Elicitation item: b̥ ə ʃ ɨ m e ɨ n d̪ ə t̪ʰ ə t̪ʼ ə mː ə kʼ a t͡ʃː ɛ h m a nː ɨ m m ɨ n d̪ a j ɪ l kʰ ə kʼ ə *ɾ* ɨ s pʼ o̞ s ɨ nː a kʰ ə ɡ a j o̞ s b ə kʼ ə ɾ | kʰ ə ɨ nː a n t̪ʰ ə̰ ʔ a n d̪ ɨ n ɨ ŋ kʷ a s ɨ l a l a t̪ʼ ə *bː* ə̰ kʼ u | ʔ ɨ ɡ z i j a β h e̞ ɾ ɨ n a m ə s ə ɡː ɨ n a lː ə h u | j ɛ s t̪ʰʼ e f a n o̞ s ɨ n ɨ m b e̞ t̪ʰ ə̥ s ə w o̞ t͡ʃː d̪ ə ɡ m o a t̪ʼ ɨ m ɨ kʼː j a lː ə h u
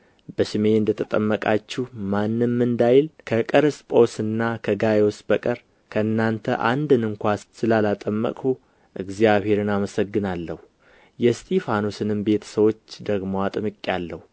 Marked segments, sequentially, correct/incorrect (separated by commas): correct, incorrect